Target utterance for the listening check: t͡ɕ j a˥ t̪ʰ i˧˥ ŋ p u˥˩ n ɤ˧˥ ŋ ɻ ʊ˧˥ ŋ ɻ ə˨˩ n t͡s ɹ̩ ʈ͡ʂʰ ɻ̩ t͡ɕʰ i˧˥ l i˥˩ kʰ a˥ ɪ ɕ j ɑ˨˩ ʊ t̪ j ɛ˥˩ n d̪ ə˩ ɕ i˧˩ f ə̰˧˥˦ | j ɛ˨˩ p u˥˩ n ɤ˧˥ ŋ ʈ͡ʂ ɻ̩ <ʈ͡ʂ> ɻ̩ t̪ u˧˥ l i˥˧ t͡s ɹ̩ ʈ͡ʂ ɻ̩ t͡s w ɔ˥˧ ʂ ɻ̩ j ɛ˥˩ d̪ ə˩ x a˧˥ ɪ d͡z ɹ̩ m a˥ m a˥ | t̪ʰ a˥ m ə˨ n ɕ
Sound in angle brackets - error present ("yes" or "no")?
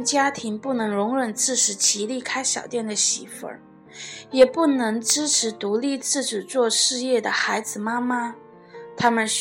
yes